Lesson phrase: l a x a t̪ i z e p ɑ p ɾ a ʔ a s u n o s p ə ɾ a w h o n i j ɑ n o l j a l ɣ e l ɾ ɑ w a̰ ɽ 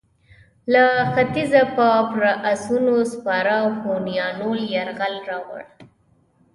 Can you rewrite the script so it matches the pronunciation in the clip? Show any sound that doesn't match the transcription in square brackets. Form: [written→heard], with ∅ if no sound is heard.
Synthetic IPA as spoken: l a x a t̪ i z [e→a] p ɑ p ɾ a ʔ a s u n o s p [ə→ɑ] ɾ a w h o n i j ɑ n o l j a [l→ɾ] ɣ [e→a] l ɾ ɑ w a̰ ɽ